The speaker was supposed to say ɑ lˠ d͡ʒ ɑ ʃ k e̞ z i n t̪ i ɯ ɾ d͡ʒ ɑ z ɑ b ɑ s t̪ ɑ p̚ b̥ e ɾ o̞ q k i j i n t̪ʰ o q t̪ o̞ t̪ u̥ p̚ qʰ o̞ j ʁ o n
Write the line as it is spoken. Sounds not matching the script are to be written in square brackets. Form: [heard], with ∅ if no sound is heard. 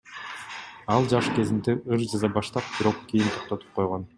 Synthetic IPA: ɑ lˠ d͡ʒ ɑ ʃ k e̞ z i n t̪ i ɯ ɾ d͡ʒ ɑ z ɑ b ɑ [ʃ] t̪ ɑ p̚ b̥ [i] ɾ o̞ q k i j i n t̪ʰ o q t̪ o̞ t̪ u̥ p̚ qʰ o̞ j ʁ o n